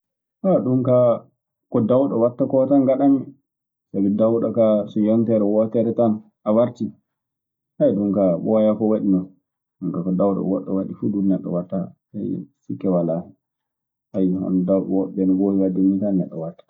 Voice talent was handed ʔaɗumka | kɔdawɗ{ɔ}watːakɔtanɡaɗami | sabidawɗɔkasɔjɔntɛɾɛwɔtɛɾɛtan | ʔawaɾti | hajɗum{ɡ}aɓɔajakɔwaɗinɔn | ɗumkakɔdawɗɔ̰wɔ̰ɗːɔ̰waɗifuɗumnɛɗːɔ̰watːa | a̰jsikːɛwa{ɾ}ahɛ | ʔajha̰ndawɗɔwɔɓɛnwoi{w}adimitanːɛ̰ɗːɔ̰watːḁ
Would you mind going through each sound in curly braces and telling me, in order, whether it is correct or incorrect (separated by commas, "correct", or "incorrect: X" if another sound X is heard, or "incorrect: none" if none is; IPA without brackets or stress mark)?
correct, incorrect: k, incorrect: l, correct